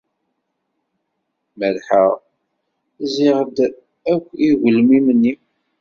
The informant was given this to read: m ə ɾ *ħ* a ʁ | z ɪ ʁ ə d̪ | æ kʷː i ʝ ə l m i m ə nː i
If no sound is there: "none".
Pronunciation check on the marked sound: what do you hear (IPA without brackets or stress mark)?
ħ